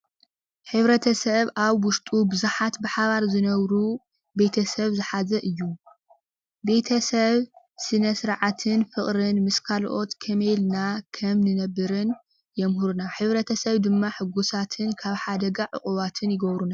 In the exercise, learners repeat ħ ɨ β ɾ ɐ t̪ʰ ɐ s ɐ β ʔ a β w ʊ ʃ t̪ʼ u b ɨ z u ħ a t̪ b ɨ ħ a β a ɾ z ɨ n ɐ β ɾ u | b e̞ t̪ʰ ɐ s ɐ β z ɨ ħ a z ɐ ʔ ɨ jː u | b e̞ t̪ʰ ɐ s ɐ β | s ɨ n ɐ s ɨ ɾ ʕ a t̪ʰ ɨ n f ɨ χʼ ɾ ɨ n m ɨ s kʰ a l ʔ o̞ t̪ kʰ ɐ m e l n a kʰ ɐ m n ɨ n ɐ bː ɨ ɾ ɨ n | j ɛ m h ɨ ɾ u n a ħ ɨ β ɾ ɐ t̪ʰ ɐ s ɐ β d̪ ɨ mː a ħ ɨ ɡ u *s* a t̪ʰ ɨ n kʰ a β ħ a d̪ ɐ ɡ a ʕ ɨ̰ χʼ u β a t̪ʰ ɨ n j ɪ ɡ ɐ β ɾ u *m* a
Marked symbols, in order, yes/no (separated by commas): yes, no